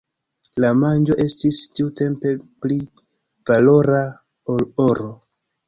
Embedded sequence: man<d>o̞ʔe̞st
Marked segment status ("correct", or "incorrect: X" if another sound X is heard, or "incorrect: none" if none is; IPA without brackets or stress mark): incorrect: d͡ʒ